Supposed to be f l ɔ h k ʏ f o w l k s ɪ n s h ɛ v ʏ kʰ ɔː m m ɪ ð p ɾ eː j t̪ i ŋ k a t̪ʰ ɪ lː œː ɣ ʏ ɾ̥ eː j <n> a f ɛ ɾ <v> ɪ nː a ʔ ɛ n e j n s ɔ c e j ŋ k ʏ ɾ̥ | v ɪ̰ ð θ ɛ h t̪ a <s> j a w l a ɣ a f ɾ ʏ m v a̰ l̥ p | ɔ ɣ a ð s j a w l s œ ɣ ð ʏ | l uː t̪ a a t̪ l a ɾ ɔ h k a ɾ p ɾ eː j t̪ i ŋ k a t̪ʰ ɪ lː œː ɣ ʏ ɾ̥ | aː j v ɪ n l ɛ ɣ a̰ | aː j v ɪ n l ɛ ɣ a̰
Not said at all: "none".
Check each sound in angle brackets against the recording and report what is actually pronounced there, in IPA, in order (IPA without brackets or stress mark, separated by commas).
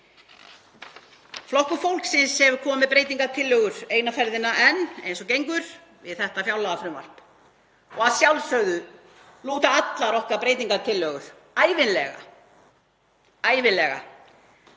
n, ð, f